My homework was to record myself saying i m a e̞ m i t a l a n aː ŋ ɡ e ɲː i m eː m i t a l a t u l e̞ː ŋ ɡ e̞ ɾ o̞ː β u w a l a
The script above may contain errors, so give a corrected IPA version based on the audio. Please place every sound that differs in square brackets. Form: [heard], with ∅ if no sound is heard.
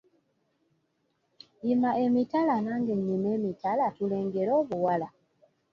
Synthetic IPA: i m a e̞ m i t a l a n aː ŋ ɡ e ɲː i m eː m i t a l a t u l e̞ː ŋ ɡ e̞ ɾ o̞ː β u w a l a